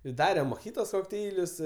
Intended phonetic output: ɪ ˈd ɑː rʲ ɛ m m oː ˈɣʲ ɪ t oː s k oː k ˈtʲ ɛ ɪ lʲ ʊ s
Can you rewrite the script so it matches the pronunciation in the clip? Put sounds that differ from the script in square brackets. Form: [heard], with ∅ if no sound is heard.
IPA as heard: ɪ ˈd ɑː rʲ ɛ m m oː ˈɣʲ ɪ t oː s k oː k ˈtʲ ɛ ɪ lʲ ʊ s

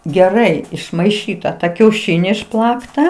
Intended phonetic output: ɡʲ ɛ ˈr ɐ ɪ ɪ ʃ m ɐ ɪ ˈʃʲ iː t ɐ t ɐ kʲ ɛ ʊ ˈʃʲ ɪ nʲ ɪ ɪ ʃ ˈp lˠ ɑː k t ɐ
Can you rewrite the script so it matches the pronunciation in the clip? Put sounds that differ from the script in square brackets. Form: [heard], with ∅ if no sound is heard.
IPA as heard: ɡʲ ɛ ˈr ɐ ɪ ɪ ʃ m ɐ ɪ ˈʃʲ iː t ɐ t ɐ kʲ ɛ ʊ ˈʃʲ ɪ nʲ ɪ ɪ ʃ ˈp lˠ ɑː k t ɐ

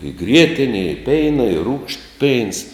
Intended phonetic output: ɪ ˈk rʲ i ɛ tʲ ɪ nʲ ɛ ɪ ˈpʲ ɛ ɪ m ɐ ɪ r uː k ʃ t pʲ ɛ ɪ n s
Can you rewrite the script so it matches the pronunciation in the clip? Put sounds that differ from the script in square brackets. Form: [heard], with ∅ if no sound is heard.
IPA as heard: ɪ [ˈɡ] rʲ i ɛ tʲ ɪ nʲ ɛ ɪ ˈpʲ ɛ ɪ [n] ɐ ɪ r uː k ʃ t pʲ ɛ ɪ n s

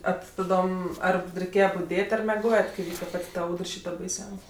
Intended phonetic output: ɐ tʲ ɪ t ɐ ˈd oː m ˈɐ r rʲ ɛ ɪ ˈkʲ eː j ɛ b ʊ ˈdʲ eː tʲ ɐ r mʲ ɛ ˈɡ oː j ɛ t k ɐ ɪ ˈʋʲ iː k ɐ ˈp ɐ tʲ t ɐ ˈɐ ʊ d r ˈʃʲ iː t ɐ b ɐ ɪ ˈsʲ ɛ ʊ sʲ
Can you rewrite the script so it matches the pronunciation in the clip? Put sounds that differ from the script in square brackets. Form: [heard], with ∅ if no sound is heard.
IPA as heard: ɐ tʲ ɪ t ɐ ˈd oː m ˈɐ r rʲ ɛ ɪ ˈkʲ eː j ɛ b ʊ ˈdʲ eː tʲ ɐ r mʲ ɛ ˈɡ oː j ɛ t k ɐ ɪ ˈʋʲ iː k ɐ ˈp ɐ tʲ t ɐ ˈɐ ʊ d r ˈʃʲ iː t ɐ b ɐ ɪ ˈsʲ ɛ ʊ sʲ

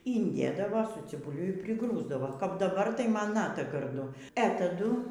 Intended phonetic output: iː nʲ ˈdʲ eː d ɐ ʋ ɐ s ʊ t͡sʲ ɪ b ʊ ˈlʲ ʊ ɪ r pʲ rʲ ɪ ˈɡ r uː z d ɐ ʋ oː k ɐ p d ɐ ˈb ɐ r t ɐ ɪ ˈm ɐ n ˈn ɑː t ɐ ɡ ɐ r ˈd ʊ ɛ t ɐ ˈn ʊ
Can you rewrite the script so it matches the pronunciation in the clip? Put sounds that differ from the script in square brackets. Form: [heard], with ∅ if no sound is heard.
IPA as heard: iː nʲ ˈdʲ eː d ɐ ʋ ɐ s ʊ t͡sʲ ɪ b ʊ ˈlʲ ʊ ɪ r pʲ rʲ ɪ ˈɡ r uː z d ɐ ʋ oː k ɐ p d ɐ ˈb ɐ r t ɐ ɪ ˈm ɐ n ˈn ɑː t ɐ ɡ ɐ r ˈd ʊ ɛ t ɐ [ˈd] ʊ

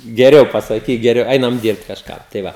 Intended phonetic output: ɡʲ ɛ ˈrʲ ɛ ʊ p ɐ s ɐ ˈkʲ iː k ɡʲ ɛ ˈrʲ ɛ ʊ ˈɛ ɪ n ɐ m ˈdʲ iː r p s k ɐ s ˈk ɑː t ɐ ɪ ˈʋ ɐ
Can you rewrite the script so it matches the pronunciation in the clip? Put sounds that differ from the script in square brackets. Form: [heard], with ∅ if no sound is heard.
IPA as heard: ɡʲ ɛ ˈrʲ ɛ ʊ p ɐ s ɐ ˈkʲ iː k ɡʲ ɛ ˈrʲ ɛ ʊ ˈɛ ɪ n ɐ m ˈdʲ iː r p [t] k ɐ [ʃ] ˈk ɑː t ɐ ɪ ˈʋ ɐ

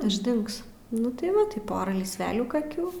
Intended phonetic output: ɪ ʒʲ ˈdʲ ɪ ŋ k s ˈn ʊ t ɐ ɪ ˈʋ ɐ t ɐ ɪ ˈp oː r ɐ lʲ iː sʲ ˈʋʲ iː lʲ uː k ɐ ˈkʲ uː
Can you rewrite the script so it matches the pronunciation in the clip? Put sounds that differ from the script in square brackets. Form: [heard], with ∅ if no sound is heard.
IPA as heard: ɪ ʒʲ ˈdʲ ɪ ŋ k s ˈn ʊ t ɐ ɪ ˈʋ ɐ t ɐ ɪ ˈp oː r ɐ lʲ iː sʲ ˈʋʲ [æː] lʲ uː k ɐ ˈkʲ uː

